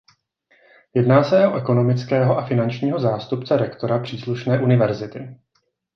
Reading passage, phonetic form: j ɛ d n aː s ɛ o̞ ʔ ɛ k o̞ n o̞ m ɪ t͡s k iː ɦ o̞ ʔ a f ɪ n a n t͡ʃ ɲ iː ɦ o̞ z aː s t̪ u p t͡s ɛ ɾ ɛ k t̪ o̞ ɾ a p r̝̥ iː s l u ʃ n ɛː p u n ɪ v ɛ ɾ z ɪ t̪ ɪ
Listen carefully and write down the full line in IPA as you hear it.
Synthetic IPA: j ɛ d n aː s ɛ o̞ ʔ ɛ k o̞ n o̞ m ɪ t͡s k ɛː ɦ o̞ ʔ a f ɪ n a n t͡ʃ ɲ iː ɦ o̞ z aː s t̪ u p t͡s ɛ ɾ ɛ k t̪ o̞ ɾ a p r̝̥ iː s l u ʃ n ɛː ʔ u n ɪ v ɛ ɾ z ɪ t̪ ɪ